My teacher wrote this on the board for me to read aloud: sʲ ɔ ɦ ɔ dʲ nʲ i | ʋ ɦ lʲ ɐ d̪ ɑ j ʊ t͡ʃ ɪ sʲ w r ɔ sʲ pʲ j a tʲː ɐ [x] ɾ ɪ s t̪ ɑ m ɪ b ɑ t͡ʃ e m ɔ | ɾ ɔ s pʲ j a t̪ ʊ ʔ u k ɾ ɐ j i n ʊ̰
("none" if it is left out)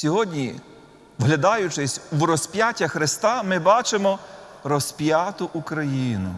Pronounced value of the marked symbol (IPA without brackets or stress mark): x